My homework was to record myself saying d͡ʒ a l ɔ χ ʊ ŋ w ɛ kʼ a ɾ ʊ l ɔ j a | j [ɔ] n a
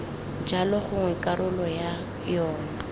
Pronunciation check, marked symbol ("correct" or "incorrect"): incorrect